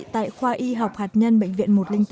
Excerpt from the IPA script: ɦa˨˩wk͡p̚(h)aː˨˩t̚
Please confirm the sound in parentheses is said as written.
yes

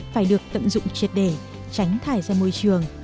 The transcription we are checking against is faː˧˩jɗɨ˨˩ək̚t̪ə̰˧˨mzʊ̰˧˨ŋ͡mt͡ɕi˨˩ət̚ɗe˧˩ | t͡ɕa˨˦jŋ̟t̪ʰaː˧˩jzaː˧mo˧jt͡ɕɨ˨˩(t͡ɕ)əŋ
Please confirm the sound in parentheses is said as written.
no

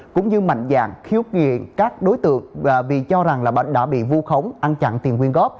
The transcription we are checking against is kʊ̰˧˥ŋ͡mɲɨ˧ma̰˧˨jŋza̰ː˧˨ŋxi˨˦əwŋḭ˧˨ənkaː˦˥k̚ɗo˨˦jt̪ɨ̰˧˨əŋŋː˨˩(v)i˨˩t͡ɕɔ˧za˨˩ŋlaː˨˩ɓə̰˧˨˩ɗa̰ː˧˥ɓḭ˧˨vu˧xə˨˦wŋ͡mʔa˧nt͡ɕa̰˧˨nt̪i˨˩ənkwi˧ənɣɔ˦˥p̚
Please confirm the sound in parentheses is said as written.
yes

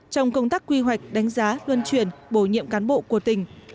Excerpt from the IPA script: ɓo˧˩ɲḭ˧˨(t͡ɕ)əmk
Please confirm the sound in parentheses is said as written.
no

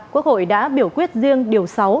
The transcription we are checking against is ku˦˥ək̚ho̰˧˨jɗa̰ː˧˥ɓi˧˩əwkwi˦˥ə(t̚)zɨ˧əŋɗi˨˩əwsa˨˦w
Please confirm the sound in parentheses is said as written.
yes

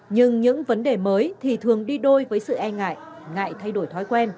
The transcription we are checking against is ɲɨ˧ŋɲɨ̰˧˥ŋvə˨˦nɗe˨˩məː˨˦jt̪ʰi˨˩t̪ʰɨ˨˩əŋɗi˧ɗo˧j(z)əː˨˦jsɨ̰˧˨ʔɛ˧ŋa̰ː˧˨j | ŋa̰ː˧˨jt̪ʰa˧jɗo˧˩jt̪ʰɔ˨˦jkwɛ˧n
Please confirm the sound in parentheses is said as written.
no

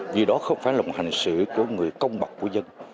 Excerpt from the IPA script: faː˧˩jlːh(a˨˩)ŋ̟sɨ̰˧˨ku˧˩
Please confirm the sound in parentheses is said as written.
yes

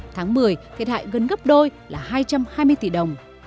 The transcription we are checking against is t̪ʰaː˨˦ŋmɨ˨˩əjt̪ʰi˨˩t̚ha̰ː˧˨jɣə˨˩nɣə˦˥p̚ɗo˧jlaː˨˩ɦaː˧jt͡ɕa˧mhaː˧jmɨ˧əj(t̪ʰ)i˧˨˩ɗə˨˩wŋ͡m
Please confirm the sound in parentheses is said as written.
no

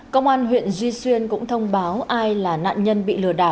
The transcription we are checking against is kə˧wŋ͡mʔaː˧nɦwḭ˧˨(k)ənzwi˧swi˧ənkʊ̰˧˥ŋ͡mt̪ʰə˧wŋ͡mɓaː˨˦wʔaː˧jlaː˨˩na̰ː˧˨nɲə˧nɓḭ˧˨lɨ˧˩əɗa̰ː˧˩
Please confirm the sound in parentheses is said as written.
no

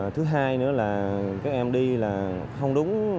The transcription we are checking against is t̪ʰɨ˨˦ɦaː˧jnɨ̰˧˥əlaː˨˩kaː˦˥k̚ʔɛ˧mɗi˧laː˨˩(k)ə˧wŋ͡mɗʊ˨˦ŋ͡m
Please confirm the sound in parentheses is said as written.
no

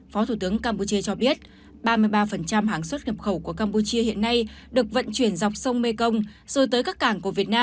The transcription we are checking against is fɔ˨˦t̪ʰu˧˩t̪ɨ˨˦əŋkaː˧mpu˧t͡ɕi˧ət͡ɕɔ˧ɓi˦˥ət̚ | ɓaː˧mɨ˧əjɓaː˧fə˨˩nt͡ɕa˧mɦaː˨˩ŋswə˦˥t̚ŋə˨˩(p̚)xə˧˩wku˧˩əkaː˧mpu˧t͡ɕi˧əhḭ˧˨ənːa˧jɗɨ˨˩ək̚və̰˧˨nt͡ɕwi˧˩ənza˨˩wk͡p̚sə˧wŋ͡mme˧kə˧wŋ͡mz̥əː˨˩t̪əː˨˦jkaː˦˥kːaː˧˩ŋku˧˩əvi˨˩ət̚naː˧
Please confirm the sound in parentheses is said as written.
yes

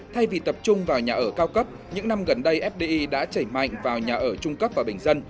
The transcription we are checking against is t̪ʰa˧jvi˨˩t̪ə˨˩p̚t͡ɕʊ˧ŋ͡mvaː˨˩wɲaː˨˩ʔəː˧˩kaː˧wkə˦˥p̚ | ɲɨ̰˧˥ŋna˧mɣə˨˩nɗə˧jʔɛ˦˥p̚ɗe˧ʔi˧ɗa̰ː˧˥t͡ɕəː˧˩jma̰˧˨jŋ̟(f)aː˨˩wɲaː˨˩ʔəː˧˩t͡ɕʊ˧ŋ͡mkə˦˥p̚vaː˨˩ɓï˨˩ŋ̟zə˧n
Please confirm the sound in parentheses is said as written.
no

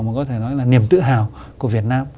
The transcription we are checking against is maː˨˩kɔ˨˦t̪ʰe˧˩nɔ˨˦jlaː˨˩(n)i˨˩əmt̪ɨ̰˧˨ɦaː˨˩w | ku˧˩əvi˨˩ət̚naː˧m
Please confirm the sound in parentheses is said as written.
yes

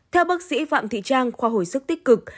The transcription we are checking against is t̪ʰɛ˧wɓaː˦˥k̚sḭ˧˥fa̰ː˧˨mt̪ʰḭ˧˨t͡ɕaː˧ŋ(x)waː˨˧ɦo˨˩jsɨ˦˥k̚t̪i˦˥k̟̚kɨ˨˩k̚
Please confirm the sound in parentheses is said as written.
yes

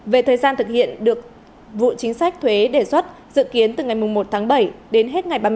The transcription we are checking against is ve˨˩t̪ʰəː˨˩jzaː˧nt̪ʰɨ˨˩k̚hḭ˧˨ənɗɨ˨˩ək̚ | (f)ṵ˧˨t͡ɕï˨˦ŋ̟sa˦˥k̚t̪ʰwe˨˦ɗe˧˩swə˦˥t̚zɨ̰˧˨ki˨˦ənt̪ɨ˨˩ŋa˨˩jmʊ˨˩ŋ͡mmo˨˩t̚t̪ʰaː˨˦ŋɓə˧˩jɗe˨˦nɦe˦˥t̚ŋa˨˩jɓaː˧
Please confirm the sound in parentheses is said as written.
no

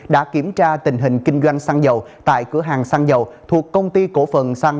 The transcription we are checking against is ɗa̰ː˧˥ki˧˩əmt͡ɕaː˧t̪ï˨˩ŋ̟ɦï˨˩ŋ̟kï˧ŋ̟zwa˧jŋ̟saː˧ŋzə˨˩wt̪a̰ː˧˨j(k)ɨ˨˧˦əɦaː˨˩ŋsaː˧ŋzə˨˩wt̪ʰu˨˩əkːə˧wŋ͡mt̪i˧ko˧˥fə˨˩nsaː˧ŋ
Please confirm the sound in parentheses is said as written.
yes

